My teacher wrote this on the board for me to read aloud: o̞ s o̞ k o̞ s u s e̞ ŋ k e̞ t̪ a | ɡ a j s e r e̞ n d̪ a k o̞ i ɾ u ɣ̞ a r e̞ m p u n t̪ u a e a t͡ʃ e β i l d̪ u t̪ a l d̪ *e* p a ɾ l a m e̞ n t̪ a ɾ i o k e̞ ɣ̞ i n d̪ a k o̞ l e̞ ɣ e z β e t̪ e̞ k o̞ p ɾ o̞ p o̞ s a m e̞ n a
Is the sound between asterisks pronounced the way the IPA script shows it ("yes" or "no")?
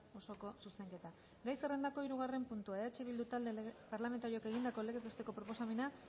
yes